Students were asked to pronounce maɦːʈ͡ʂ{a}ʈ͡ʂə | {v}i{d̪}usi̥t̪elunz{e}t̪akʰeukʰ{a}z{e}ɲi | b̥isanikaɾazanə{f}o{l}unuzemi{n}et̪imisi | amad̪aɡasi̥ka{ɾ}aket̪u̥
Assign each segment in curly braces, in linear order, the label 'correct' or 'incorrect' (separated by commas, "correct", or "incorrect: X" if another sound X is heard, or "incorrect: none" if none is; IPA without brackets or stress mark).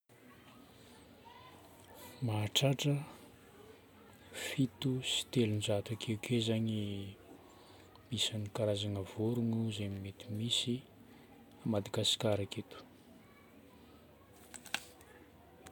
correct, incorrect: f, incorrect: t̪, incorrect: a, incorrect: e, incorrect: a, incorrect: v, incorrect: ɾ, incorrect: m, correct